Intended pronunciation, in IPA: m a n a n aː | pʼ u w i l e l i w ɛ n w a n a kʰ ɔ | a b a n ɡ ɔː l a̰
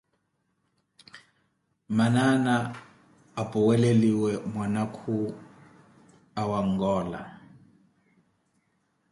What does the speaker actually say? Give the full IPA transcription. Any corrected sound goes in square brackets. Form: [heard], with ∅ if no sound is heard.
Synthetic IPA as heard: m a n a n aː | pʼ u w [ɛ] l e l i w ɛ [m] w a n a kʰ [u] | a [w] a [ŋ] ɡ ɔː l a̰